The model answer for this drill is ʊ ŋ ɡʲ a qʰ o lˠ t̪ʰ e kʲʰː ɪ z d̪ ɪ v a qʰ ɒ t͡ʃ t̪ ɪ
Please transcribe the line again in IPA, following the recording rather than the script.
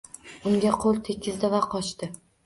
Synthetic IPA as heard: ʊ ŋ ɡʲ a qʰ o lˠ t̪ʰ e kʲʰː ɪ z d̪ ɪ v a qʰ ɒ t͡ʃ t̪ ɪ